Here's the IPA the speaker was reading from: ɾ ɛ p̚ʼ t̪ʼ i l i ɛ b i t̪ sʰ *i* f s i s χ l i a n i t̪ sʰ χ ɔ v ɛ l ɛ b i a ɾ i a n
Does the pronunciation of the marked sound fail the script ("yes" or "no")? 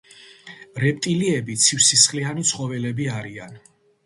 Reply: no